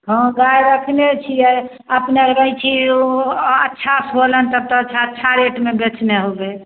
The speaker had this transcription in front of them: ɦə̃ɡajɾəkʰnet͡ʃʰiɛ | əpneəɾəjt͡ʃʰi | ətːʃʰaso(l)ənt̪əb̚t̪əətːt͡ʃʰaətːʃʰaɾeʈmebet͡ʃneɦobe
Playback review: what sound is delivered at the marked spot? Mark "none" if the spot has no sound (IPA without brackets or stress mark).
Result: l